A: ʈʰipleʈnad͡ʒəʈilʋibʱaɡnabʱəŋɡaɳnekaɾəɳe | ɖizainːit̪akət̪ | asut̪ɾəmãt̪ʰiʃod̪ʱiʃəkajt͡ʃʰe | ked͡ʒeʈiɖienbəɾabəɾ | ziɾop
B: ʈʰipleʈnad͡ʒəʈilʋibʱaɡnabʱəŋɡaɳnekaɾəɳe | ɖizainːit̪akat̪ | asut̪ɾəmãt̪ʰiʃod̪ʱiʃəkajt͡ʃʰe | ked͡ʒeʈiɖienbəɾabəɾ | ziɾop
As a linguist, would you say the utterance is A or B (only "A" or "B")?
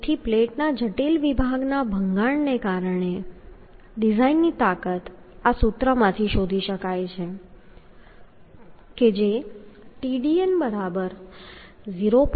A